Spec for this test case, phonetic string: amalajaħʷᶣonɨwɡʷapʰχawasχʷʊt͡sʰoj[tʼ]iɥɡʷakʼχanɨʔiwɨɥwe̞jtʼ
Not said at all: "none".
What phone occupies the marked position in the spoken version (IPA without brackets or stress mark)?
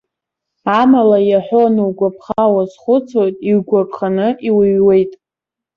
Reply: tʼ